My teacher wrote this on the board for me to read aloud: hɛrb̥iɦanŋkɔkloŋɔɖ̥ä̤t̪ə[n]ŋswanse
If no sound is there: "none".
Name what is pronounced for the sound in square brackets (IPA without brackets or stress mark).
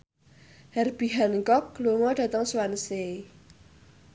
none